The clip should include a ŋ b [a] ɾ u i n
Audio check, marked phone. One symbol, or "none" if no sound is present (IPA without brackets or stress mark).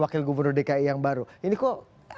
a